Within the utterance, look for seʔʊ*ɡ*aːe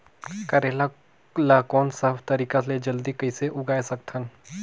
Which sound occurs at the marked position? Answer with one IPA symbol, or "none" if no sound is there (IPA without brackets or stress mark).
ɡ